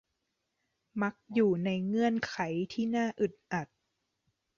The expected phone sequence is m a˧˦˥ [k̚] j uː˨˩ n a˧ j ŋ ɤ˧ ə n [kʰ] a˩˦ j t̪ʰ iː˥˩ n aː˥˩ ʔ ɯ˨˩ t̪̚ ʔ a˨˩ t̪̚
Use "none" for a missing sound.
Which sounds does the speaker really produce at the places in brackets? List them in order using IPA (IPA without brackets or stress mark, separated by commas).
k̚, kʰ